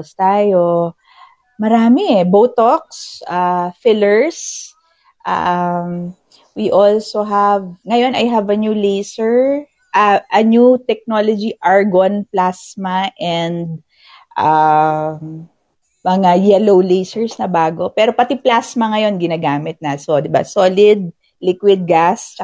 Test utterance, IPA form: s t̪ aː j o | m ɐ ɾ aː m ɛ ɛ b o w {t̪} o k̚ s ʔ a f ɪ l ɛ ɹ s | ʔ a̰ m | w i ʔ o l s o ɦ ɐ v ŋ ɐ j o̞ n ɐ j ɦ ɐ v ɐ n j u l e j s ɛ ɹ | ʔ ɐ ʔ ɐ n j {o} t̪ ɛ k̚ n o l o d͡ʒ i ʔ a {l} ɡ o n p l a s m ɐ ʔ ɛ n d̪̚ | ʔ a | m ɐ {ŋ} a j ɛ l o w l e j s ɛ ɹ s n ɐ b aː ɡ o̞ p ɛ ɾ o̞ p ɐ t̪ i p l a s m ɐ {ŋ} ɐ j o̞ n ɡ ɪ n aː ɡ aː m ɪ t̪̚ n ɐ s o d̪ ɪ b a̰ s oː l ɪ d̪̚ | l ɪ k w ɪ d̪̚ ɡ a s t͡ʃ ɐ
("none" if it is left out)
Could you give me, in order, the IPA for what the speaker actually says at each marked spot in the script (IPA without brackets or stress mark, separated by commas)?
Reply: t̪, u, ɹ, ŋ, ŋ